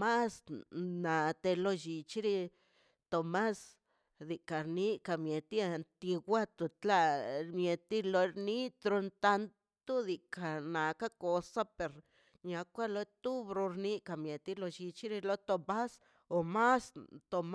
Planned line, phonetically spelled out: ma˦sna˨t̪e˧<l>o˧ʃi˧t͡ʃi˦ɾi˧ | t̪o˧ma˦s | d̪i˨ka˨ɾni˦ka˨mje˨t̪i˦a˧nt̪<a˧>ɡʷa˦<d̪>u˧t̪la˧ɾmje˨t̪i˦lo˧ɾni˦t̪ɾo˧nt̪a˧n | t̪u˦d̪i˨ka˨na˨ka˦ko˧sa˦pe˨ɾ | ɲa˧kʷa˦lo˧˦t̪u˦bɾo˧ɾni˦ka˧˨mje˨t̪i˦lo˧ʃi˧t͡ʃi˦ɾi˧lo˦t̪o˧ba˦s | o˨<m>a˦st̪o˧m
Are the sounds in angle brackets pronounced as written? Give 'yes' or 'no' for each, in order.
yes, no, no, yes

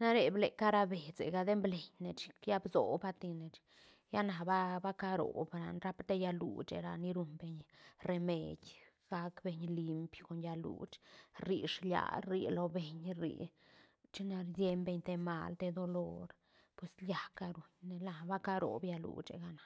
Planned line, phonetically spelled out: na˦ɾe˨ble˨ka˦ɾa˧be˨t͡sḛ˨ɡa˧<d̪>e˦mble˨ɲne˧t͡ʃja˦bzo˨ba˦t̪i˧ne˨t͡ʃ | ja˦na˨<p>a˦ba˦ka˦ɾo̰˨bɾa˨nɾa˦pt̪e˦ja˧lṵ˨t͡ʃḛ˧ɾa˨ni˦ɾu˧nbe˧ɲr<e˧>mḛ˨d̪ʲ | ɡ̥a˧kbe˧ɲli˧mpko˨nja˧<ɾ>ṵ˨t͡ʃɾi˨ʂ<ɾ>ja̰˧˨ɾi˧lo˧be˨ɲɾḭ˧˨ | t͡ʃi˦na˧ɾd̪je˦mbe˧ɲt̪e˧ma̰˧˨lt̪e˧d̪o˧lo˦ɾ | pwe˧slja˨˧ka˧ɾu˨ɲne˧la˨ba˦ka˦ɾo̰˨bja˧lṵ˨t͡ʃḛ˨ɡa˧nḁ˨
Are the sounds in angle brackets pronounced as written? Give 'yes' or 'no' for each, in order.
yes, no, yes, no, no

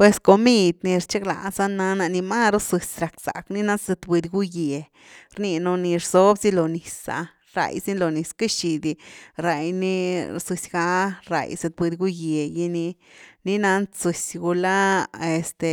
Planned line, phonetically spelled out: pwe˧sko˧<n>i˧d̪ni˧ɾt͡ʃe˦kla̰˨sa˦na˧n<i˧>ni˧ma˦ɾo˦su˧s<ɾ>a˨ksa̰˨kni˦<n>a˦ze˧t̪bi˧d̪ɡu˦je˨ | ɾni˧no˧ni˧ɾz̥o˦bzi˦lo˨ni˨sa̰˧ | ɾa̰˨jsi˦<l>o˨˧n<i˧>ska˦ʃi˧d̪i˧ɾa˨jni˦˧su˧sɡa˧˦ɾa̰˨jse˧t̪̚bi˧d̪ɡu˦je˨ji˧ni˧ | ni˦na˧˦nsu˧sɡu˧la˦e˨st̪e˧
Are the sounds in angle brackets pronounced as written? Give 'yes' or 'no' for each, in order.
no, no, yes, yes, yes, yes

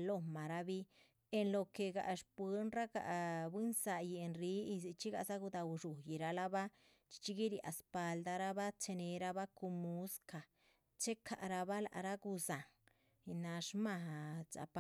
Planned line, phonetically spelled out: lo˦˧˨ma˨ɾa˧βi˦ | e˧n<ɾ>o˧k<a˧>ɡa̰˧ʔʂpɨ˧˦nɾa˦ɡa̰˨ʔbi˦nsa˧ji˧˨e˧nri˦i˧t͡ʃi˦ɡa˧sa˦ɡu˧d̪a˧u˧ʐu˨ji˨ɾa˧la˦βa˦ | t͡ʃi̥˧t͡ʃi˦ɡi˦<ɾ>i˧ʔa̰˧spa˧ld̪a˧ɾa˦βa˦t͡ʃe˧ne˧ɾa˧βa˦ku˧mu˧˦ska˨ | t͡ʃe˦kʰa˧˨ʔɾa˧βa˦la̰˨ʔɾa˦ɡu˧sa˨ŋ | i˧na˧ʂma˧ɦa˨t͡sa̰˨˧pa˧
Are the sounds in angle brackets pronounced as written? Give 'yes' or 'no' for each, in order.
no, no, yes

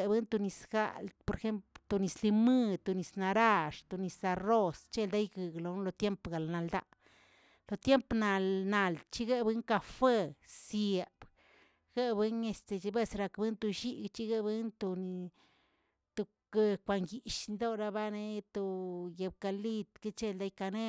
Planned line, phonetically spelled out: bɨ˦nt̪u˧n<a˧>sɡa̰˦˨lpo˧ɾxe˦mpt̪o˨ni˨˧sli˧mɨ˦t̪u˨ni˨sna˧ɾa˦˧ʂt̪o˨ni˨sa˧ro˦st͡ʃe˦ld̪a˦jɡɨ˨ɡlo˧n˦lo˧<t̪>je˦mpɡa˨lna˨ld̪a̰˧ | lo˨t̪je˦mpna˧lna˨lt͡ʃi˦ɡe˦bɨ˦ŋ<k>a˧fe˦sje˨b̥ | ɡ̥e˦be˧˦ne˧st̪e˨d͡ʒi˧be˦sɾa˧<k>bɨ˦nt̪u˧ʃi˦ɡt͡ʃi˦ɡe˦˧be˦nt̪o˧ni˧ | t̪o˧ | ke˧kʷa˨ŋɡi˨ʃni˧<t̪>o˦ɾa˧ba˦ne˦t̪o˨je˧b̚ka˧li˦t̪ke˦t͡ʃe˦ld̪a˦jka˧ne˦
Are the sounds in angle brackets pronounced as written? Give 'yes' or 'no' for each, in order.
no, yes, yes, yes, no

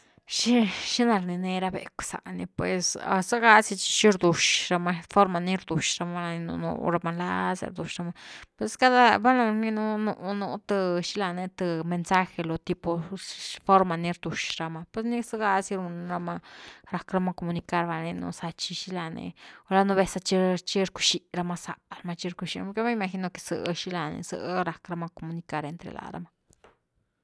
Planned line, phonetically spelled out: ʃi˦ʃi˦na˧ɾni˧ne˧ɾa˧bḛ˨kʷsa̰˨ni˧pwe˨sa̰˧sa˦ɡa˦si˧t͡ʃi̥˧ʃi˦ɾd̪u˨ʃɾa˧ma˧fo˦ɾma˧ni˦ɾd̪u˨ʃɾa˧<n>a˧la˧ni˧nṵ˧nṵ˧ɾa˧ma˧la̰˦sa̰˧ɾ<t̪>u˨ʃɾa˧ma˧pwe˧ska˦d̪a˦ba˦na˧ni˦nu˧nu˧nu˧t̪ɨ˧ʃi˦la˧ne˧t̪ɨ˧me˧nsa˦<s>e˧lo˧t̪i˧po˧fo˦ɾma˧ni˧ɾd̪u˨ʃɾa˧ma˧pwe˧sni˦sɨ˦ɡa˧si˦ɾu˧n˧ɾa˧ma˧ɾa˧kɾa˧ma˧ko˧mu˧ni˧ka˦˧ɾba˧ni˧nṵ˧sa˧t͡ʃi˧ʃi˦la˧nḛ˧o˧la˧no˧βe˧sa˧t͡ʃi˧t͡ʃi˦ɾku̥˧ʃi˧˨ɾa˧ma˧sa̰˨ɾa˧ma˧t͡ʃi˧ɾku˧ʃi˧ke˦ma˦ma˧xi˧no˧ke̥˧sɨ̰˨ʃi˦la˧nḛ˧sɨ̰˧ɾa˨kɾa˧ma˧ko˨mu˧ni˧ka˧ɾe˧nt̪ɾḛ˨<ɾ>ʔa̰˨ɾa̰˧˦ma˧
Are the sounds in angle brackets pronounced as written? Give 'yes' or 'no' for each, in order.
no, no, no, no

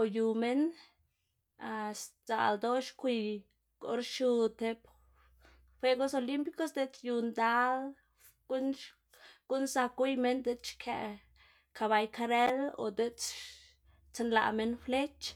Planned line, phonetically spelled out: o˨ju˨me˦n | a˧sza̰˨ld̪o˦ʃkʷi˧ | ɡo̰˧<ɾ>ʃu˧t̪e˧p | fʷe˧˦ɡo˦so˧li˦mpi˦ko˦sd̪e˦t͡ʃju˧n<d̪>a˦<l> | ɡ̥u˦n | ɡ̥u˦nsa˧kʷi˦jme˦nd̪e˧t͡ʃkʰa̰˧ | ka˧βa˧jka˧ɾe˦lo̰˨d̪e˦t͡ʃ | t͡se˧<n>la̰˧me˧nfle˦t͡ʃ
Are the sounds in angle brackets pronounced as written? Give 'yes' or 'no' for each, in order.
yes, yes, yes, yes

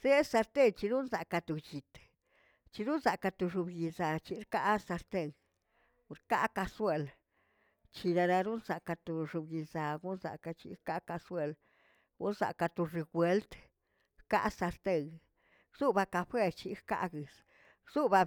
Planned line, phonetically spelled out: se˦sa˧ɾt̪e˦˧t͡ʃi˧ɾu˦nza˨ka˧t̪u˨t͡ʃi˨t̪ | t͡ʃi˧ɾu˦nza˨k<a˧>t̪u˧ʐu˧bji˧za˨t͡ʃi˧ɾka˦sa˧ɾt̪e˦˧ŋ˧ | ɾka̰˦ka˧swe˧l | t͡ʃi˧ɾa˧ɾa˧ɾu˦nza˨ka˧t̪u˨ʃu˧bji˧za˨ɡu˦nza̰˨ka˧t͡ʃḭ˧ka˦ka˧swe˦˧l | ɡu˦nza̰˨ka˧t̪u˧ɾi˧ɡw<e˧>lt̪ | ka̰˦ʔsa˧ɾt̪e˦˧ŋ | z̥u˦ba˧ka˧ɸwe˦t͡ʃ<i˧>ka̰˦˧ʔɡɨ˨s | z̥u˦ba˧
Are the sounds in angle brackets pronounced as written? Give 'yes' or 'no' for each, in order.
yes, yes, yes

